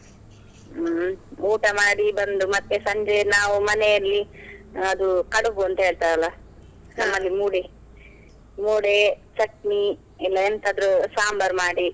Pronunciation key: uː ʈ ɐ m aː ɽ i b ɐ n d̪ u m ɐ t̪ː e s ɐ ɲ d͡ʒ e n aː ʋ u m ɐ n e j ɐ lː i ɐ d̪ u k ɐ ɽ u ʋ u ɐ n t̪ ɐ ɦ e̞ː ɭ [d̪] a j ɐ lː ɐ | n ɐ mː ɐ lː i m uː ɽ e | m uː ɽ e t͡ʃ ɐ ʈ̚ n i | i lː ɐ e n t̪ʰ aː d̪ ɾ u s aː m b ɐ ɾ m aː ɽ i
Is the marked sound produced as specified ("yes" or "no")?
no